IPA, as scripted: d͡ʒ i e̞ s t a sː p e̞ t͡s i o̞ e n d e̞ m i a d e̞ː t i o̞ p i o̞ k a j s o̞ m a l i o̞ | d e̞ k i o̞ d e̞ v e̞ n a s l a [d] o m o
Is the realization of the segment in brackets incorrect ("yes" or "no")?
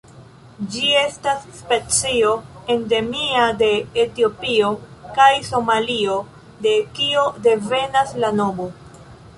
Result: yes